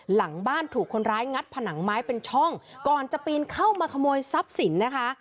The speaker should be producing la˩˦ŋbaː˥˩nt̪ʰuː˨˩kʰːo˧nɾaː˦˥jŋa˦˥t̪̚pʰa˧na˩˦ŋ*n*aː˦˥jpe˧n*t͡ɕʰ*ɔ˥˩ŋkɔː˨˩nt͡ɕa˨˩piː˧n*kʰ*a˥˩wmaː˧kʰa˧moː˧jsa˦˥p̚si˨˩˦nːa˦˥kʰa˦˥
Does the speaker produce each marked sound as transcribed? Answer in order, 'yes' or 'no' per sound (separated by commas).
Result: no, yes, yes